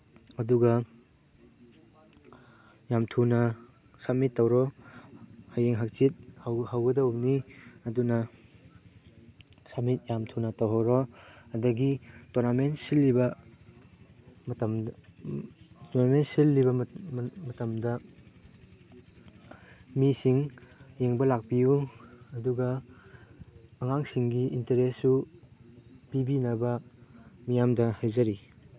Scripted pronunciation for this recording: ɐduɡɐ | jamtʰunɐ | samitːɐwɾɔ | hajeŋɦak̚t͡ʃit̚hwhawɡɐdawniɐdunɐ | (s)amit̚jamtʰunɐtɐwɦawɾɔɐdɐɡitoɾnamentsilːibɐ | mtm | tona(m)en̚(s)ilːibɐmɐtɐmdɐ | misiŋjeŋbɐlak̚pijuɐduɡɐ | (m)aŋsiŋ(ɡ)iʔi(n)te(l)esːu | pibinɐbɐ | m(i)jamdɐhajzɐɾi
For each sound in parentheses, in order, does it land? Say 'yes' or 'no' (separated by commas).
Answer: yes, yes, yes, no, yes, yes, no, yes